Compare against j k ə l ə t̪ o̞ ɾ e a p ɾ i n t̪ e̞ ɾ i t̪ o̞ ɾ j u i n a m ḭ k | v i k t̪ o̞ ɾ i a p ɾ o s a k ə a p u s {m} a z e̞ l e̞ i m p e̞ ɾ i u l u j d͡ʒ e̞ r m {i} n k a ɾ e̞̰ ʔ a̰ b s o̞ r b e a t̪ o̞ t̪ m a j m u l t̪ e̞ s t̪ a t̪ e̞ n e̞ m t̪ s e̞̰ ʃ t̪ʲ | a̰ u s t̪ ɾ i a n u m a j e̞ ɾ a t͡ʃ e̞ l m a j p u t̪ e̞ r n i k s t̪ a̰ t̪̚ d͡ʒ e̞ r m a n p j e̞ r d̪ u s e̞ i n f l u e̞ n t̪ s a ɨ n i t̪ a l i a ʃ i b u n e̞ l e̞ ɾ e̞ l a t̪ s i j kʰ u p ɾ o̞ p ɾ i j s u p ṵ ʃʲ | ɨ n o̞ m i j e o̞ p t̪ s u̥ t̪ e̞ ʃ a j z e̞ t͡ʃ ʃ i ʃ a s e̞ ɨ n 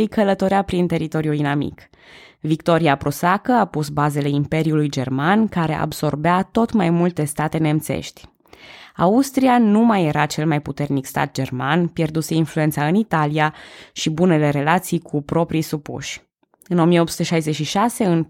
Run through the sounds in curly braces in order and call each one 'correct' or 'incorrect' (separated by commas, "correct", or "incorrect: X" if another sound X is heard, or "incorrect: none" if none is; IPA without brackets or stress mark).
incorrect: b, incorrect: a